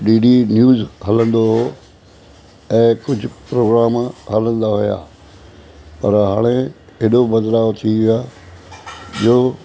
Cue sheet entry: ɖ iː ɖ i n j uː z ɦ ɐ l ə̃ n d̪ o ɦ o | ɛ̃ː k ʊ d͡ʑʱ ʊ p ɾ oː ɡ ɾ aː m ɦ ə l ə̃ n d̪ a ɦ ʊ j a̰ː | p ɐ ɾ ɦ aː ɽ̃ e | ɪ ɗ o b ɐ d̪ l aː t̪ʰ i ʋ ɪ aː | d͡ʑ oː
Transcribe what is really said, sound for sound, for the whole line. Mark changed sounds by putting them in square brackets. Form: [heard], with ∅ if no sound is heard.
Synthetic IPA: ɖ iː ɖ i n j uː z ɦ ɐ l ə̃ n d̪ o ɦ o | ɛ̃ː k ʊ d͡ʑʱ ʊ p ɾ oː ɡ ɾ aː m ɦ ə l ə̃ n d̪ a ɦ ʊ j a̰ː | p ɐ ɾ ɦ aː ɽ̃ e | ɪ ɗ o b ɐ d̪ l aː t̪ʰ i ʋ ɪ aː | d͡ʑ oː